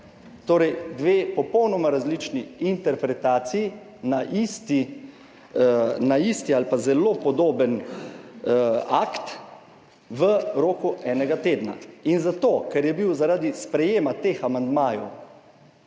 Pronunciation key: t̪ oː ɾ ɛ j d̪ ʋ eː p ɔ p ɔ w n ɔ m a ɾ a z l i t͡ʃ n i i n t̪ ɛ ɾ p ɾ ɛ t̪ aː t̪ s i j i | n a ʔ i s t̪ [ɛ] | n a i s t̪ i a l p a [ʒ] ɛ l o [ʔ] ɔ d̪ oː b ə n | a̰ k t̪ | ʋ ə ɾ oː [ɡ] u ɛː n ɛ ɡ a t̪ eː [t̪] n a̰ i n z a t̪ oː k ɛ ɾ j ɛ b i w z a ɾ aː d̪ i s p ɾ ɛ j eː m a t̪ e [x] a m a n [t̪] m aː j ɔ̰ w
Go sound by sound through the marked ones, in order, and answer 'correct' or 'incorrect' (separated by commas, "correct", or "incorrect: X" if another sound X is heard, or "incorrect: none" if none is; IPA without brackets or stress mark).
incorrect: i, incorrect: z, incorrect: p, incorrect: k, incorrect: d̪, correct, incorrect: d̪